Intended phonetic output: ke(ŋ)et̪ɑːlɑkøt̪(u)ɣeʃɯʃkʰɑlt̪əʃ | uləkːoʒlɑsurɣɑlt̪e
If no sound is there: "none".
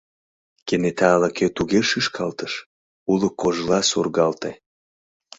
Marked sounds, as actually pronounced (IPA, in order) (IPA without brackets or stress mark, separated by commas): n, u